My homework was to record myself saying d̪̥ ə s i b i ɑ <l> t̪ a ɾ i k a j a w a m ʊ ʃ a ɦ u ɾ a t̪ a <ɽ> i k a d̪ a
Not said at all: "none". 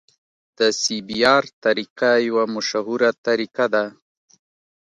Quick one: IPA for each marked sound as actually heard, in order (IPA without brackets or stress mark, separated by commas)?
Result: ɾ, ɾ